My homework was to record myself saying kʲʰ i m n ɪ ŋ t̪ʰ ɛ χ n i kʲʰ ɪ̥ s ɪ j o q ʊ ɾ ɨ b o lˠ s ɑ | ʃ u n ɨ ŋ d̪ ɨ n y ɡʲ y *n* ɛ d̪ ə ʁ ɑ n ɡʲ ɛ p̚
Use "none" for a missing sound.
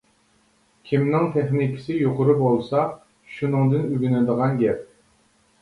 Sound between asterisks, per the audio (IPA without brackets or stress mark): n